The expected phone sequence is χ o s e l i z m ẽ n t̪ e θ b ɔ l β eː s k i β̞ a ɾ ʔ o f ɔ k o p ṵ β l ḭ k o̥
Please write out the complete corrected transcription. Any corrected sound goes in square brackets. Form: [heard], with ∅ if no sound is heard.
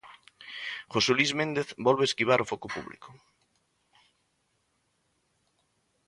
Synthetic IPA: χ o s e l i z m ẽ n [d̪] e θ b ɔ l β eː s k i β̞ a ɾ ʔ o f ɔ k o p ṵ β l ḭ k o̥

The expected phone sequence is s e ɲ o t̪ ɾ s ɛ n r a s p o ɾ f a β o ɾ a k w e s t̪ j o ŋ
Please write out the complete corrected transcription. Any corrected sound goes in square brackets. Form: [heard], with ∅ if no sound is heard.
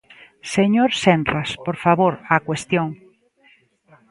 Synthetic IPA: s e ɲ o [∅] ɾ s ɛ n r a s p o ɾ f a β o ɾ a k w e s t̪ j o ŋ

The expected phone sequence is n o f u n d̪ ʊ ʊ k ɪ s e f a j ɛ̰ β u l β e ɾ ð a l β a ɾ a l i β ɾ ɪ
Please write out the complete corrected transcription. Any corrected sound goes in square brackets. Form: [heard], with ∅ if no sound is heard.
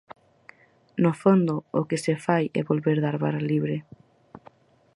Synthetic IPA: n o f [o] n d̪ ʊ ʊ k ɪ s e f a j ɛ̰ β [o] l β e ɾ ð a [ɾ] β a ɾ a l i β ɾ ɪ

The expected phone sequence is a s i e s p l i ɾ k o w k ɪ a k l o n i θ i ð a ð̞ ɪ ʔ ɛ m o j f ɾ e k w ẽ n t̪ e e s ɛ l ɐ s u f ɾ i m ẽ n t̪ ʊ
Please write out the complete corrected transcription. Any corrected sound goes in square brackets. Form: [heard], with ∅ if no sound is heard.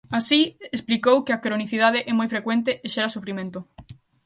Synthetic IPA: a s i e s p l i [∅] k o w k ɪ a k [ɾ] o n i θ i ð a ð̞ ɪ ʔ ɛ m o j f ɾ e k w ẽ n t̪ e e [ʃ] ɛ [ɾ] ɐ s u f ɾ i m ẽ n t̪ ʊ

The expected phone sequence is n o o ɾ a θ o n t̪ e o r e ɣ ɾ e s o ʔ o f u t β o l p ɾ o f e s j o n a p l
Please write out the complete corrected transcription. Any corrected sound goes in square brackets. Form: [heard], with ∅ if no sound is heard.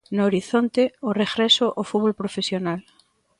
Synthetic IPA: n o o ɾ [i] θ o n t̪ e o r e ɣ ɾ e s o ʔ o f u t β o l p ɾ o f e s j o n a [∅] l

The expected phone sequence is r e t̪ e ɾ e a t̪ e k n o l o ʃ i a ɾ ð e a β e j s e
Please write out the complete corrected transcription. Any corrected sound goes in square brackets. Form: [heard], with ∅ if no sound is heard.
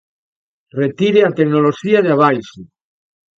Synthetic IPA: r e t̪ [i] ɾ e a t̪ e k n o l o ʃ i a [∅] ð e a β [a] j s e

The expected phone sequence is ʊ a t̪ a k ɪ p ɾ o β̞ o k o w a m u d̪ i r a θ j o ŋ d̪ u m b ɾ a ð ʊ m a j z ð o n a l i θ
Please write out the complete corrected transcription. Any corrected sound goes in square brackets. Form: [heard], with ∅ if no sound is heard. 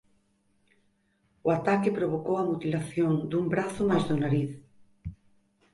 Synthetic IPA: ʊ a t̪ a k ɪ p ɾ o β̞ o k o w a m u [t̪] i [l] a θ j o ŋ d̪ u m b ɾ a [θ] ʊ m a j z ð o n a [ɾ] i θ

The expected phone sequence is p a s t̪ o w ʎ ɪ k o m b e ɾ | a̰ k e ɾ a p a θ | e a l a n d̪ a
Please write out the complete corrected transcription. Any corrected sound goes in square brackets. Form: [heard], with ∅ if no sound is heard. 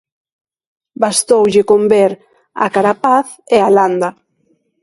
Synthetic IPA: [b] a s t̪ o w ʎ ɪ k o m b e ɾ | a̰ k [a] ɾ a p a θ | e a l a n d̪ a

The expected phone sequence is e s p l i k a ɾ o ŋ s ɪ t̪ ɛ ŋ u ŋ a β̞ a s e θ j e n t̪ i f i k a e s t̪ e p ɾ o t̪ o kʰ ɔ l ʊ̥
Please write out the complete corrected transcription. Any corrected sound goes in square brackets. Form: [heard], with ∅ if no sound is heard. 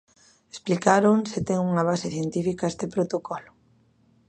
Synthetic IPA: e s p l i k a ɾ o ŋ s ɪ t̪ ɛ ŋ u ŋ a β̞ a s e θ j e n t̪ i f i k a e s t̪ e p ɾ o t̪ o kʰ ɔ l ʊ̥

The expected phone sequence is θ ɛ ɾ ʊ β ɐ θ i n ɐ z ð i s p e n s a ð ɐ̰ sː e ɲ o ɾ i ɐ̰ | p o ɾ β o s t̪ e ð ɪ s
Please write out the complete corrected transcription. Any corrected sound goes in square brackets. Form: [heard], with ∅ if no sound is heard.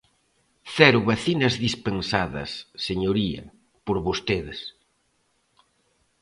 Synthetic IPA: θ ɛ ɾ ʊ β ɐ θ i n ɐ z ð i s p e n s a ð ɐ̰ sː e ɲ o ɾ i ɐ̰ | p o ɾ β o s t̪ e ð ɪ s

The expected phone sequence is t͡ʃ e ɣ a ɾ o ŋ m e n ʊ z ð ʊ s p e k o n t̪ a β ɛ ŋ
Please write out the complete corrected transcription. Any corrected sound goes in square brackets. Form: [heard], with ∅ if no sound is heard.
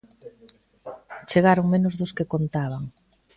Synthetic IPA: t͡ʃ e ɣ a ɾ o ŋ m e n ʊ z ð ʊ s [k] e k o n t̪ a β [a] ŋ

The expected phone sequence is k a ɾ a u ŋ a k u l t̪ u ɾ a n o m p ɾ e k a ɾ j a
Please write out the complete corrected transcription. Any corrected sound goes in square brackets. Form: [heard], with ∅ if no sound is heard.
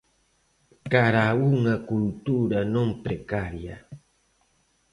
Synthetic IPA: k a ɾ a u ŋ a k u l t̪ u ɾ a n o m p ɾ e k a ɾ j a

